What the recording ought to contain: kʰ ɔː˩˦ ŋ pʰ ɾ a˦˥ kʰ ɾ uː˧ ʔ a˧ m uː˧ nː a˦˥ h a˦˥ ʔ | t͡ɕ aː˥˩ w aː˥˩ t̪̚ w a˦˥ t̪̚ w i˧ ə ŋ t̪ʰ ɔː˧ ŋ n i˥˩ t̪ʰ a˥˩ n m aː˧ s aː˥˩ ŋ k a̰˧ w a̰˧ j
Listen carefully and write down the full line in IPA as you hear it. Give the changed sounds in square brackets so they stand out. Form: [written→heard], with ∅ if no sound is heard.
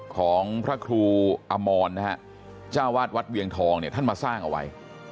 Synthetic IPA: kʰ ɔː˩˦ ŋ pʰ ɾ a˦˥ kʰ ɾ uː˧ ʔ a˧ m [uː˧→ɔː˧] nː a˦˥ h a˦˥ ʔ | t͡ɕ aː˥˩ w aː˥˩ t̪̚ w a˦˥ t̪̚ w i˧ ə ŋ t̪ʰ ɔː˧ ŋ n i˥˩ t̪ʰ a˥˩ n m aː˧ s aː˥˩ ŋ [k→ʔ] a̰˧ w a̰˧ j